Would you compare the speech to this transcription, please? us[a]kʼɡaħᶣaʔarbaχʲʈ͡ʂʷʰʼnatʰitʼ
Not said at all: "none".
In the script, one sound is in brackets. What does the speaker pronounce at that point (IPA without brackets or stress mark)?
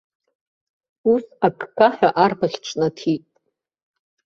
a